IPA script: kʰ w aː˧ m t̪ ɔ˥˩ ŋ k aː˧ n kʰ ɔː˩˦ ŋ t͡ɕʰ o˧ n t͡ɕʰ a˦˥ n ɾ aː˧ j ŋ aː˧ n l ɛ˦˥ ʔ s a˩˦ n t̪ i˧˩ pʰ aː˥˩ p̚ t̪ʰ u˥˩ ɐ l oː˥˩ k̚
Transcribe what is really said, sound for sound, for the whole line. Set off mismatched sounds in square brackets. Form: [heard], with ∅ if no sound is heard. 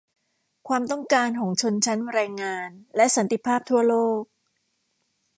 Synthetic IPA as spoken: kʰ w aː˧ m t̪ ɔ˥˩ ŋ k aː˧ n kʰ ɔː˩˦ ŋ t͡ɕʰ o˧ n t͡ɕʰ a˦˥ n ɾ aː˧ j ŋ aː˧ n l ɛ˦˥ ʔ s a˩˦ n t̪ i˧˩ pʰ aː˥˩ p̚ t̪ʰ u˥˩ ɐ l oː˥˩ k̚